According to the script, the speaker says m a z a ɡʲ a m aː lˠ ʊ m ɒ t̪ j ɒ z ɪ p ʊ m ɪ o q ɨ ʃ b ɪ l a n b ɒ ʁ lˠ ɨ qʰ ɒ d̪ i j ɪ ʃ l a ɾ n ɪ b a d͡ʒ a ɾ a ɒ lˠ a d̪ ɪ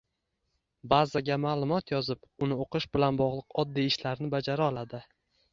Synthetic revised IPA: b a z a ɡʲ a m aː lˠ ʊ m ɒ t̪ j ɒ z ɪ p ʊ n ɪ o q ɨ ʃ b ɪ l a n b ɒ ʁ lˠ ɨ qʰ ɒ d̪ː i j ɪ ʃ l a ɾ n ɪ b a d͡ʒ a ɾ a ɒ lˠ a d̪ ɪ